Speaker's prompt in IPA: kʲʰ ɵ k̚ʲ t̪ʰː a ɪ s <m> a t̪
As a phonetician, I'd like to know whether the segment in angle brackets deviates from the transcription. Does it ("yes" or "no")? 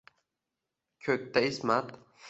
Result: no